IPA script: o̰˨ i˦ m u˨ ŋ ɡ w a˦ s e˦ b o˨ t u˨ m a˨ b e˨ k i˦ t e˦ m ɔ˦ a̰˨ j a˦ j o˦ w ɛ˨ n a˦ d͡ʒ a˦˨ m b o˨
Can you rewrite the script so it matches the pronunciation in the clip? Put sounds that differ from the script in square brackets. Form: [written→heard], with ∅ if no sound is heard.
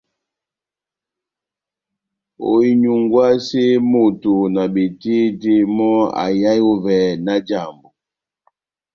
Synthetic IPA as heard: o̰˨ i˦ [m→ɲ] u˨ ŋ ɡ w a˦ s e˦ [b→m] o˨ t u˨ [m→n] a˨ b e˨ [k→t] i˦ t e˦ m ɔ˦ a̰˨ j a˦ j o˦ [w→v] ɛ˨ n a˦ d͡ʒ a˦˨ m b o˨